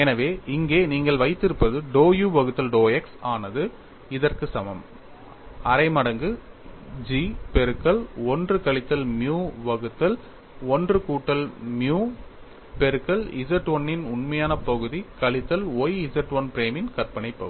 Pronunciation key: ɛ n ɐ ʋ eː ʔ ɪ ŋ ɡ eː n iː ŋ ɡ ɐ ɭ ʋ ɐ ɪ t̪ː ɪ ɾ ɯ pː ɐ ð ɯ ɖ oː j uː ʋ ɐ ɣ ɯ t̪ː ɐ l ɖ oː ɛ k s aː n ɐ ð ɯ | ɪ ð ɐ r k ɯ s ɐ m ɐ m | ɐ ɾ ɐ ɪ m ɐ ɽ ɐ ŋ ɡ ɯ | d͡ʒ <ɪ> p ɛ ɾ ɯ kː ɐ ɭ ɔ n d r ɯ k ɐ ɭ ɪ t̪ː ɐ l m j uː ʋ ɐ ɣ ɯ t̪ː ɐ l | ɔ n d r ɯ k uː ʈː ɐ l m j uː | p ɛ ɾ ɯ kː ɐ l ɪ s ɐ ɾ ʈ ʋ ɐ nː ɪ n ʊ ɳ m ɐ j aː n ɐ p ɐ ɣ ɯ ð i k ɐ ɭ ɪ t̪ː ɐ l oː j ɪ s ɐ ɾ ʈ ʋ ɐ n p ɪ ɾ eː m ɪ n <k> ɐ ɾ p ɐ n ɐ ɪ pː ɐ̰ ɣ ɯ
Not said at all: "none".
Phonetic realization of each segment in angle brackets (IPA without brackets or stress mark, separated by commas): i, k